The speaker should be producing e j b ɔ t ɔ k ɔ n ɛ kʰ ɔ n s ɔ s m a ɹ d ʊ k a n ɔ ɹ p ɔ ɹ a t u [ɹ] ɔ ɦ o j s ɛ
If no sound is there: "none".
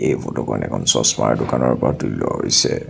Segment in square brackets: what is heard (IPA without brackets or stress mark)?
l